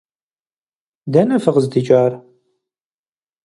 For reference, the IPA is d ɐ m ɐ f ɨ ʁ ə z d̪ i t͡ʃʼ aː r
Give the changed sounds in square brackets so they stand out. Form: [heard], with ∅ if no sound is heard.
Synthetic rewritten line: d ɐ [n] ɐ f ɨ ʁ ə z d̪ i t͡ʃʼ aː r